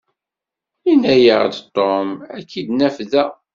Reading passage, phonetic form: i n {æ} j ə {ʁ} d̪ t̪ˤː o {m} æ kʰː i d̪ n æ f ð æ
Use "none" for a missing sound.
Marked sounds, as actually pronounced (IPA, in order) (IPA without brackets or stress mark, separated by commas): æ, ʁ, m